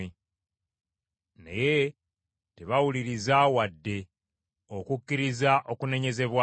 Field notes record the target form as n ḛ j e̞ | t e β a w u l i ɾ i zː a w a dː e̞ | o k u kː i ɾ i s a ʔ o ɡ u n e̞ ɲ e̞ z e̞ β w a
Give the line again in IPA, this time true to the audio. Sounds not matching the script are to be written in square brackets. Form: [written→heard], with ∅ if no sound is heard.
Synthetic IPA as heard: n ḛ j e̞ | t e β a w u l i ɾ i [zː→z] a w a dː e̞ | o k u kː i ɾ i [s→z] a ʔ o [ɡ→k] u n e̞ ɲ e̞ z e̞ β w a